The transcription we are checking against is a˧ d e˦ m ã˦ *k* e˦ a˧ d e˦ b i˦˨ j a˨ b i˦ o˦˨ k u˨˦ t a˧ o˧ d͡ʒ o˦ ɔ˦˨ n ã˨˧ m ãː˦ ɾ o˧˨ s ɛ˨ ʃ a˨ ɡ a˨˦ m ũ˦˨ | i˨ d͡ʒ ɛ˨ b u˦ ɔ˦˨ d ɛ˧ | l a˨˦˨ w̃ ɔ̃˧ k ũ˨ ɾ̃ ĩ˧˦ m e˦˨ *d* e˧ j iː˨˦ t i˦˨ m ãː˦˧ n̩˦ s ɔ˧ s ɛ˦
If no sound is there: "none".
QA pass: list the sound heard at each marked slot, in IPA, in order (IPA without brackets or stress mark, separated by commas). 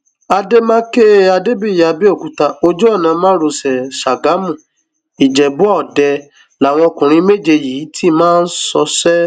k, d͡ʒ